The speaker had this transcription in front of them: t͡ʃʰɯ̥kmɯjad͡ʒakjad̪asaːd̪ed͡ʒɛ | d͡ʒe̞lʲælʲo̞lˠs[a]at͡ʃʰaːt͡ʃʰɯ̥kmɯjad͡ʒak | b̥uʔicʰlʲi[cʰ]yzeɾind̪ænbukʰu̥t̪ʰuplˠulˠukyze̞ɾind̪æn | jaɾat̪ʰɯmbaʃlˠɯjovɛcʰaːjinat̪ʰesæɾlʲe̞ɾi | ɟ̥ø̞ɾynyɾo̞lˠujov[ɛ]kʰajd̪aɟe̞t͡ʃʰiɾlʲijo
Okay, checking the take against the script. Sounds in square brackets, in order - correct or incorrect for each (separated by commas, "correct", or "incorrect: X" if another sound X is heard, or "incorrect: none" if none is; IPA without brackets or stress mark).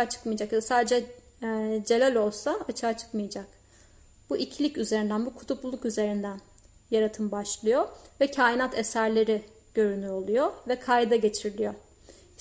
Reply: correct, incorrect: c, correct